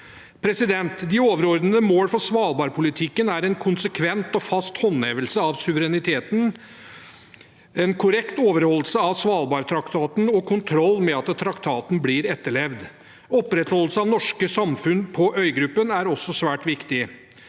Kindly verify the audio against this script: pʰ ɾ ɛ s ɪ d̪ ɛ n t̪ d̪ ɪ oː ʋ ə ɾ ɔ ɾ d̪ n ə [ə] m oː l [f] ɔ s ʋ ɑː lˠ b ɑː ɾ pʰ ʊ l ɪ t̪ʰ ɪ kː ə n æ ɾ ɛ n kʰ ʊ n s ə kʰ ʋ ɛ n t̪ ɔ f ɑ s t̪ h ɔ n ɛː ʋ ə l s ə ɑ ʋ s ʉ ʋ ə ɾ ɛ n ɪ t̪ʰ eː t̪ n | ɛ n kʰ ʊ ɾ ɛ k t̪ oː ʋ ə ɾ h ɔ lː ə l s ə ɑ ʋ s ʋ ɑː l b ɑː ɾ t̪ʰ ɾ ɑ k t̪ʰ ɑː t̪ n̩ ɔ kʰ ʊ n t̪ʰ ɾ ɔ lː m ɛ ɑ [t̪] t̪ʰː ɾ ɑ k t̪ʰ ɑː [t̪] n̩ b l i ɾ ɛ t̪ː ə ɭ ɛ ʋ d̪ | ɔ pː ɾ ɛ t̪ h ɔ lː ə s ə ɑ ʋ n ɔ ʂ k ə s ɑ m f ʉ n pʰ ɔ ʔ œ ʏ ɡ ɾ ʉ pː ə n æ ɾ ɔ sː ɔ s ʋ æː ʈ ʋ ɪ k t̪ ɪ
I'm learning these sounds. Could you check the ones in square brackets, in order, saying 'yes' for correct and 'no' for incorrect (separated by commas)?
yes, yes, yes, yes